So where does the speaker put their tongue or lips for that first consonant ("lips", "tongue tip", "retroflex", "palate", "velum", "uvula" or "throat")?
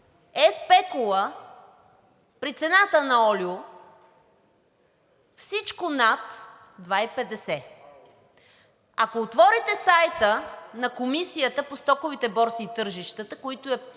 tongue tip